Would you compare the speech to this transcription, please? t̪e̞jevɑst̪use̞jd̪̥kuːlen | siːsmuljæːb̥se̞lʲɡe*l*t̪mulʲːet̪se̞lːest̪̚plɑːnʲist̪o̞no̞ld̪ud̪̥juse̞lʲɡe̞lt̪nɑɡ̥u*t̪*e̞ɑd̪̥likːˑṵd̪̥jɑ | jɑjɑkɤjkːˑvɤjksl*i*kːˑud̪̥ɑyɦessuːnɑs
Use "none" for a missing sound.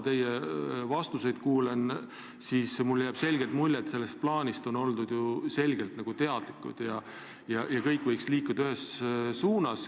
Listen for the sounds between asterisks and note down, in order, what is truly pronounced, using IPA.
l, t̪, iː

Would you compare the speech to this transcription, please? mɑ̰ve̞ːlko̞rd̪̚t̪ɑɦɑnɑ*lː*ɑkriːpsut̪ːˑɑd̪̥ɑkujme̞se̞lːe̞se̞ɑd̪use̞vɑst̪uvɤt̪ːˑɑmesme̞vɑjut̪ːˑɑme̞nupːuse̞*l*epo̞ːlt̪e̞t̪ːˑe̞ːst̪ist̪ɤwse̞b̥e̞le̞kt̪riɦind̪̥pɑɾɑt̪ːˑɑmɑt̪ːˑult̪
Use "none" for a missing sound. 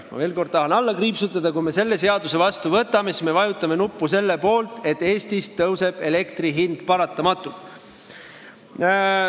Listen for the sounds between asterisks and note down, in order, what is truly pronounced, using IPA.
lː, lː

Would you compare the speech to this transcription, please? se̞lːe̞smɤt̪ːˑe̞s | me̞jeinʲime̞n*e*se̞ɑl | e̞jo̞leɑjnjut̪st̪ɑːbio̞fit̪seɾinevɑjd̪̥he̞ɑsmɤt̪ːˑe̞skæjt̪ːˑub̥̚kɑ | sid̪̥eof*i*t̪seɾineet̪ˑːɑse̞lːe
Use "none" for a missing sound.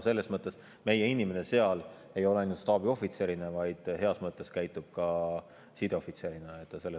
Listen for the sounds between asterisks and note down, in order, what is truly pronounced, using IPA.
e, i

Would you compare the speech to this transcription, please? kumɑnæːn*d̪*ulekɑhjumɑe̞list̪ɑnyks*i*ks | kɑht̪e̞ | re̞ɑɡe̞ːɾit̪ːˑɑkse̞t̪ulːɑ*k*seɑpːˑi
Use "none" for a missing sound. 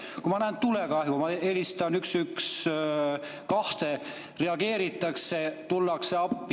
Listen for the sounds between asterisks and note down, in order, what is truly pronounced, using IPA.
t̪, y, k

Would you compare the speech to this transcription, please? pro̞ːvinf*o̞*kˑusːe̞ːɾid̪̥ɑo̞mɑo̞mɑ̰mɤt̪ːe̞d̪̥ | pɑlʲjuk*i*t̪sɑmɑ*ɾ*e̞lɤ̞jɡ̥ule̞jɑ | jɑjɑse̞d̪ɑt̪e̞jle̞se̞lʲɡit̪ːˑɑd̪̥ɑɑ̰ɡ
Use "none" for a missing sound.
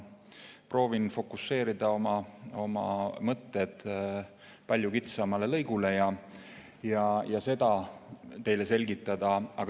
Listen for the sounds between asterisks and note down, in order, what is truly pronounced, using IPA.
o̞, i, l

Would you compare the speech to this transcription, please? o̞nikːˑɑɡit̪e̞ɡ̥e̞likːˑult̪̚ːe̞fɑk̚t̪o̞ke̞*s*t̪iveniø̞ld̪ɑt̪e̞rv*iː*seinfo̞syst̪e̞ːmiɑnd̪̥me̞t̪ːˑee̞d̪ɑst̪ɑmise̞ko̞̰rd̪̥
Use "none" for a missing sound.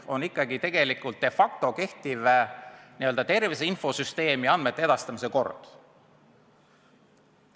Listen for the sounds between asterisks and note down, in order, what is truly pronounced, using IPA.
h, i

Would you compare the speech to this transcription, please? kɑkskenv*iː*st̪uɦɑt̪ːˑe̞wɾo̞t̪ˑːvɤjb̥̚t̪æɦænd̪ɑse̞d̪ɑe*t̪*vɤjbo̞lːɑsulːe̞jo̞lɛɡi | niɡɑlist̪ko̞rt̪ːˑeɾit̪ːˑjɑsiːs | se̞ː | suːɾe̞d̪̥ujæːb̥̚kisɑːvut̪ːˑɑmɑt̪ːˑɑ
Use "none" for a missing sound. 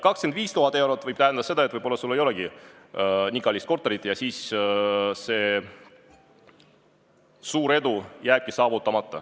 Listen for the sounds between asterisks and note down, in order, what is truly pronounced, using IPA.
iː, t̪

